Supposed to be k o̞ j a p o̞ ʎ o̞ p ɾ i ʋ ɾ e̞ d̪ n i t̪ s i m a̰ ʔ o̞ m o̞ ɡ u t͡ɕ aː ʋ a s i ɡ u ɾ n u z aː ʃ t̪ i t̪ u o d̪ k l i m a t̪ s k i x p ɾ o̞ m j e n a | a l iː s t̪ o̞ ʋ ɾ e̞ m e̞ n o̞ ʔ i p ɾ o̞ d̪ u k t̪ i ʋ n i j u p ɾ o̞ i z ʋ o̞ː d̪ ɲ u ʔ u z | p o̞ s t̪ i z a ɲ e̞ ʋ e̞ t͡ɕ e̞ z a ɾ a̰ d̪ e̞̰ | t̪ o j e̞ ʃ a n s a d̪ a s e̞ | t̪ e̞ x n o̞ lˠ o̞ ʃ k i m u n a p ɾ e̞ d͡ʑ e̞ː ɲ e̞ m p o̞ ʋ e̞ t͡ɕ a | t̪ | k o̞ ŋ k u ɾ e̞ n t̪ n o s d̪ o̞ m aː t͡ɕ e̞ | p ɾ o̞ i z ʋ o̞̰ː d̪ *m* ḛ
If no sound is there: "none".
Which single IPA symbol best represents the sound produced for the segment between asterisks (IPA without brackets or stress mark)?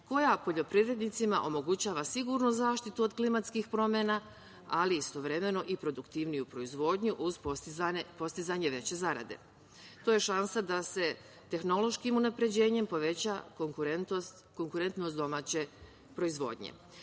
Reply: ɲ